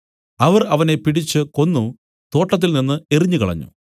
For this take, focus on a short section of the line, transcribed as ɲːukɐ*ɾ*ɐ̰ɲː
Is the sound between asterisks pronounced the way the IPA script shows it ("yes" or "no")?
no